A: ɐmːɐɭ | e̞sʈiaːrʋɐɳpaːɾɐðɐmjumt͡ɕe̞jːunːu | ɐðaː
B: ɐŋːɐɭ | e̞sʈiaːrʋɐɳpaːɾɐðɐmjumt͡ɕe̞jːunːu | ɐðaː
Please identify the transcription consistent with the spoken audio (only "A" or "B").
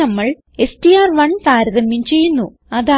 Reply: A